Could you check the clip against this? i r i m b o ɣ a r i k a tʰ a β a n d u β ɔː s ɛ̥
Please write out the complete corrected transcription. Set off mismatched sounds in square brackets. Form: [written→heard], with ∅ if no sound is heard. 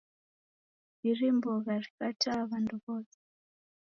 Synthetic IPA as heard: i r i m b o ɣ a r i k a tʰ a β a n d u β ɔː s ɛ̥